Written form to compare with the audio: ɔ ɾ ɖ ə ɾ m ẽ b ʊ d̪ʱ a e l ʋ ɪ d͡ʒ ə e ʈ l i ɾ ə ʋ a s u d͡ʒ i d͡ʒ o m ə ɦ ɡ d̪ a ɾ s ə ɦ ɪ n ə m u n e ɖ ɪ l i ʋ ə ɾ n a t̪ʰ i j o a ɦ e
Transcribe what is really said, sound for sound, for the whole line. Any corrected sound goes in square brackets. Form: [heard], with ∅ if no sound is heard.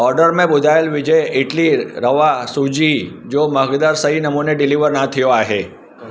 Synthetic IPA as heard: ɔ ɾ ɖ ə ɾ m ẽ b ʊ d̪ʱ a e l ʋ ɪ d͡ʒ ə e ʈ l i ɾ ə ʋ a s u d͡ʒ i d͡ʒ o m ə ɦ ɡ d̪ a ɾ s ə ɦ [i] n ə m u n e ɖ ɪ l i ʋ ə ɾ n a t̪ʰ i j o a ɦ e